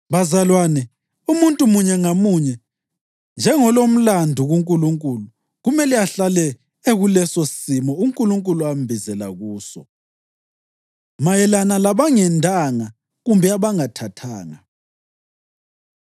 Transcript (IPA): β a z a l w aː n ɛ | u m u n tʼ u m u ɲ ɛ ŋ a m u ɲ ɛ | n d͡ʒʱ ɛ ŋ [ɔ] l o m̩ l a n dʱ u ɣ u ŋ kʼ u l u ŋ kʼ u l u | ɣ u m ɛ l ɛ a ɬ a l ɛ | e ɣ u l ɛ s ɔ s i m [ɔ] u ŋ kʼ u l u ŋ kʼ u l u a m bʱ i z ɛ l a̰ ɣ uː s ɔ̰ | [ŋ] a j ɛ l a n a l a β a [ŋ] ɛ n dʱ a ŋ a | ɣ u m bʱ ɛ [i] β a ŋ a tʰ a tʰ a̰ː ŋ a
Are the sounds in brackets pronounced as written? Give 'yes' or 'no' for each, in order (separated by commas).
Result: yes, yes, no, yes, no